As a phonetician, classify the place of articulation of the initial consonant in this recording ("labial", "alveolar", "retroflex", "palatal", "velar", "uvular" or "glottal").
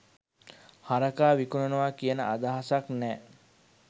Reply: glottal